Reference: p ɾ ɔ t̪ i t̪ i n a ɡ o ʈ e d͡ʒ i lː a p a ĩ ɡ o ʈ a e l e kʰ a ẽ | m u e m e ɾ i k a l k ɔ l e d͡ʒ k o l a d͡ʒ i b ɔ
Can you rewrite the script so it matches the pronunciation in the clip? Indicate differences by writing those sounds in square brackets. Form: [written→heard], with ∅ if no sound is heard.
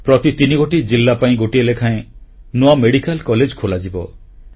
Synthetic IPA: p ɾ ɔ t̪ i t̪ i n [a→i] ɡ o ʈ [e→i] d͡ʒ i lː a p a ĩ ɡ o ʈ [a→i] e l e kʰ a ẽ | [m→n] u [e→a] m e [ɾ→ɽ] i k a l k ɔ l e d͡ʒ [k→kʰ] o l a d͡ʒ i b ɔ